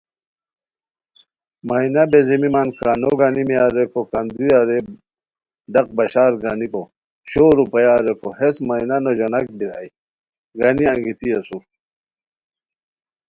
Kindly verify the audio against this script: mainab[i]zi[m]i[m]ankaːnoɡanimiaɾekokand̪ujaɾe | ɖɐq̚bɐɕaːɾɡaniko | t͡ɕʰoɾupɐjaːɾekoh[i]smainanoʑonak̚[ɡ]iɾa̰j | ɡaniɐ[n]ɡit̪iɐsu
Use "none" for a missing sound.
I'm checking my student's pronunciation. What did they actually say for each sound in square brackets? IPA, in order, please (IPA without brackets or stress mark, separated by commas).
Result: e, m, m, e, b, ŋ